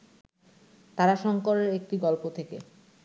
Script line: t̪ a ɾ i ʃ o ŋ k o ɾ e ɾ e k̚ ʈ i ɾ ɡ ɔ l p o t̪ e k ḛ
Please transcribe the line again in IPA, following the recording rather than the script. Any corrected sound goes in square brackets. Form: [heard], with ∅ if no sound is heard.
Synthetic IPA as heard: t̪ a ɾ [a] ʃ [ɔ] ŋ k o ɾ e ɾ e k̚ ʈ i [∅] ɡ ɔ l p o [t̪ʰ] e k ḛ